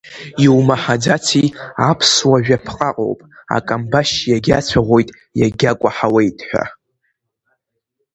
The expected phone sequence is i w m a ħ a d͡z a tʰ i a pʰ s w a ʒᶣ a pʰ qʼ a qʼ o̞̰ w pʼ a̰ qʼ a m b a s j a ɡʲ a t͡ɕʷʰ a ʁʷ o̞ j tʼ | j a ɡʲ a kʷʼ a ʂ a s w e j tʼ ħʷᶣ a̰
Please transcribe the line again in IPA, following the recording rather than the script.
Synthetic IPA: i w m a ħ a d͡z a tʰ i a pʰ s w a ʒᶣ a pʰ qʼ a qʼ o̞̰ w pʼ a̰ kʼ a m b a ʃ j a ɡʲ a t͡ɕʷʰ a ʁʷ o̞ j tʼ | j a ɡʲ a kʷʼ a ħ a w e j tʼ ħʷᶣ a̰